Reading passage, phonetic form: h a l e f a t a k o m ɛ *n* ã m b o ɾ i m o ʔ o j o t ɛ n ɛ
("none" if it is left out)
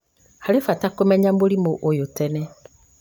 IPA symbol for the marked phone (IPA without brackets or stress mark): ɲ